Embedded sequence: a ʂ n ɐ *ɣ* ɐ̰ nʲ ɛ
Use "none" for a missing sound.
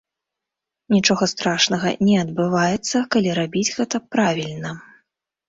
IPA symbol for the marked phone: ɣ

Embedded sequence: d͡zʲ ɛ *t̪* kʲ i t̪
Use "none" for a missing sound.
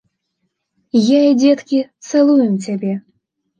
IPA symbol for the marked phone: t̪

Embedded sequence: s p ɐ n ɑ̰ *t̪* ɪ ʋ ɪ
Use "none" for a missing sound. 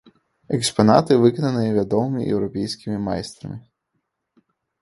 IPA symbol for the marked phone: t̪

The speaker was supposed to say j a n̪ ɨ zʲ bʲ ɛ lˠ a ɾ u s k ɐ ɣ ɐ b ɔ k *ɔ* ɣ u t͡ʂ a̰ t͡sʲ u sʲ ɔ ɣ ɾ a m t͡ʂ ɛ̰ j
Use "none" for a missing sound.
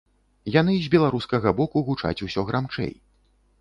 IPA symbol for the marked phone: u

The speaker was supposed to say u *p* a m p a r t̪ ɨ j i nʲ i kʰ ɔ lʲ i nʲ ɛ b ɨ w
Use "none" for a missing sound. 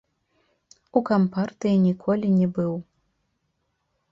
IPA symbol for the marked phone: k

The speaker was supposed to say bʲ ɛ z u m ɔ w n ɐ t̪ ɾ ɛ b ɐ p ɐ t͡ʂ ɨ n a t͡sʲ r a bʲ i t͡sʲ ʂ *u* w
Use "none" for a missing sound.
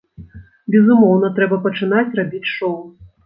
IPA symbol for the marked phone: ɔ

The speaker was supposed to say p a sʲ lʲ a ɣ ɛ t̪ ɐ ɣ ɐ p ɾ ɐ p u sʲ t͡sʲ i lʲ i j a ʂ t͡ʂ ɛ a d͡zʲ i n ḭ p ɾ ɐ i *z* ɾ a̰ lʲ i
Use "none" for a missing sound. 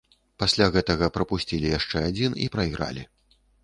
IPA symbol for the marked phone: ɣ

